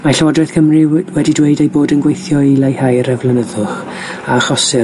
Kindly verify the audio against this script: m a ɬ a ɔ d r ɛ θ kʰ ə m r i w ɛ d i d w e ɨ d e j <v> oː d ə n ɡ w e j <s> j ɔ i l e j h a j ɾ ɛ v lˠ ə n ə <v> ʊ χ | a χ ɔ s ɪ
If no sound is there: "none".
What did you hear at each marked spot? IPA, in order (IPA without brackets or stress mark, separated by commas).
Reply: b, θ, ð